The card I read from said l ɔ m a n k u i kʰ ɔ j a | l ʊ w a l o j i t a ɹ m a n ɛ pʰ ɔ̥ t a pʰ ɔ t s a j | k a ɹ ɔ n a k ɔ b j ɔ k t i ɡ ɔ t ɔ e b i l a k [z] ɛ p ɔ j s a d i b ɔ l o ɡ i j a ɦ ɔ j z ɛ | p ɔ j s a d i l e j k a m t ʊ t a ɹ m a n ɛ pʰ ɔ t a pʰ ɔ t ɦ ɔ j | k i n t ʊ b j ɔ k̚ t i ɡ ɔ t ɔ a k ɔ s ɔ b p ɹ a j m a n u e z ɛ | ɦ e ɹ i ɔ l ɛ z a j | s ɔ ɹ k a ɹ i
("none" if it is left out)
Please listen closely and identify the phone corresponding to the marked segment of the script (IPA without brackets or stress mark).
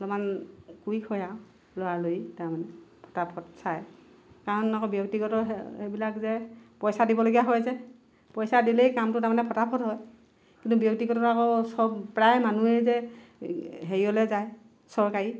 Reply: z